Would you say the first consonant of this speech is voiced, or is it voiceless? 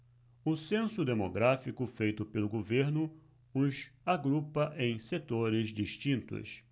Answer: voiceless